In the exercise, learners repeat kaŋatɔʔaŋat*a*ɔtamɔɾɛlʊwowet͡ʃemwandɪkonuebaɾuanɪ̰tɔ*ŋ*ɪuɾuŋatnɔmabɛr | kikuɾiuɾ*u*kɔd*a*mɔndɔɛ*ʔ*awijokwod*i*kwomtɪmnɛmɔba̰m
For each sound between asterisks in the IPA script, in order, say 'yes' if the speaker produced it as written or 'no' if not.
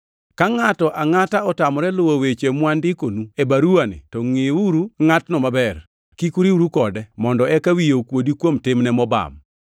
yes, yes, yes, no, no, yes

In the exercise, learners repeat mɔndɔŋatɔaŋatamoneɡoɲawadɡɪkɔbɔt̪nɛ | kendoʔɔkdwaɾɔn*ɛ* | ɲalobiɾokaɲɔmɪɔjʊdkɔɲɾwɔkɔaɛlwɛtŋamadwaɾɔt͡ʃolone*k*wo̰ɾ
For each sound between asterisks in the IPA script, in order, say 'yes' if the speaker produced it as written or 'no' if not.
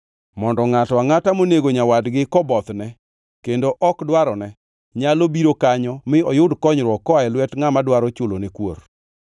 yes, yes

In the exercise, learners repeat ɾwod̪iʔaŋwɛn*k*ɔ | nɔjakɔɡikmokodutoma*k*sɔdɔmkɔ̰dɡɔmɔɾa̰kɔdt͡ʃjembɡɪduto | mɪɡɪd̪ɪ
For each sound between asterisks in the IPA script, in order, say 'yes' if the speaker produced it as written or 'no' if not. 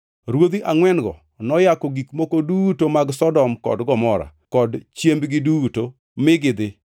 no, no

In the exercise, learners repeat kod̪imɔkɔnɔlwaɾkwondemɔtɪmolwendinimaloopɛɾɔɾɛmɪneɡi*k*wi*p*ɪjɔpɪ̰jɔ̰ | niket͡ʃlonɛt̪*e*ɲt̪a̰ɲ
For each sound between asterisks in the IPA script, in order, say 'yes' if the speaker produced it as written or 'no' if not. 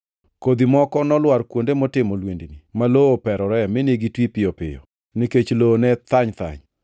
no, yes, no

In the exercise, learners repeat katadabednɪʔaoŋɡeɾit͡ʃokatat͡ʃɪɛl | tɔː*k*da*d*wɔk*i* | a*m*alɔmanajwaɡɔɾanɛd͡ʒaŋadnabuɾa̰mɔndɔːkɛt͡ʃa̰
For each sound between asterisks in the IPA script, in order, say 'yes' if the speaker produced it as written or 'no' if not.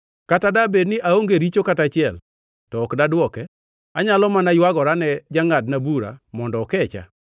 yes, yes, no, no

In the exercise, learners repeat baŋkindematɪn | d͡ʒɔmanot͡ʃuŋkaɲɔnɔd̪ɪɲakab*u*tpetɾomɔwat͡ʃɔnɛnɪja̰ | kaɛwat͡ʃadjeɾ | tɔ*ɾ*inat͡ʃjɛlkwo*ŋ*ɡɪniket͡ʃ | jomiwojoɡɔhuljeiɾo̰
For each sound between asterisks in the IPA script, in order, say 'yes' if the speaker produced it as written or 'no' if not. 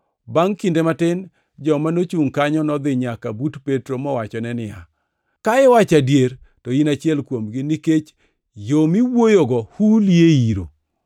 yes, no, no

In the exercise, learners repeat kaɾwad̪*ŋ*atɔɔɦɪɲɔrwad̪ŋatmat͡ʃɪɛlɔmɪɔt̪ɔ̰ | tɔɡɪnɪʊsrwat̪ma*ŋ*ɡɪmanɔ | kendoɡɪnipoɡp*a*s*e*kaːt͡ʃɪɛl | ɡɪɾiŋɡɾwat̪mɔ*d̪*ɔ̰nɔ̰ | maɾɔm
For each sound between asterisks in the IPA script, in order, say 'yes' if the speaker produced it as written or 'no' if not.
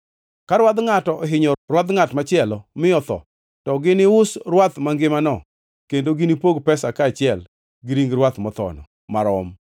yes, yes, no, no, no

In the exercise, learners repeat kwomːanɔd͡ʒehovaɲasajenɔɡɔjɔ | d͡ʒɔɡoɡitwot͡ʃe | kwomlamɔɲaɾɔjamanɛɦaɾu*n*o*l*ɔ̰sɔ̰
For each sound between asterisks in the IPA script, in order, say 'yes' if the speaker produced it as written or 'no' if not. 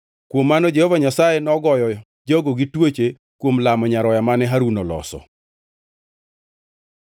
yes, yes

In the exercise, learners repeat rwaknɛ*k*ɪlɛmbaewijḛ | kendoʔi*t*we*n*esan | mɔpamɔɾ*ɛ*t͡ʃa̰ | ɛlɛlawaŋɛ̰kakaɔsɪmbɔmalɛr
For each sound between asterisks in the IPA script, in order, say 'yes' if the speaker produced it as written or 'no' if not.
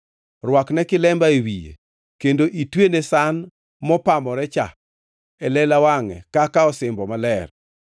yes, yes, yes, yes

